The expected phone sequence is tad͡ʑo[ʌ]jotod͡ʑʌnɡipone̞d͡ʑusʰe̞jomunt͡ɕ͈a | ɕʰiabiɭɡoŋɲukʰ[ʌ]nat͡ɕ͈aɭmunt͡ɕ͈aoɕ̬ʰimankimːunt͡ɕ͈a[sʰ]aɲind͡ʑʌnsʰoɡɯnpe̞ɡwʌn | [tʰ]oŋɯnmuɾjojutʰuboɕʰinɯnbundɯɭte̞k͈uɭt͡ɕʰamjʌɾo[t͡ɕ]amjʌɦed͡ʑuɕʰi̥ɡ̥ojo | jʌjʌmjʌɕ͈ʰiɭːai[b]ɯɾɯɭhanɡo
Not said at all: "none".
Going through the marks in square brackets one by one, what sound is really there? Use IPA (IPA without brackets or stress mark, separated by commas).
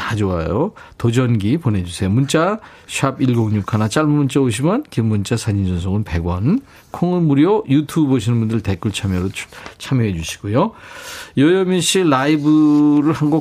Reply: a, a, sʰ, kʰ, t͡ɕʰ, b